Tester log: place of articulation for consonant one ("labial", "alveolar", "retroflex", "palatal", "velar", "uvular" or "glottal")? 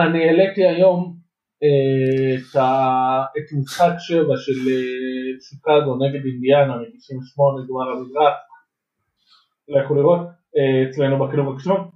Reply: alveolar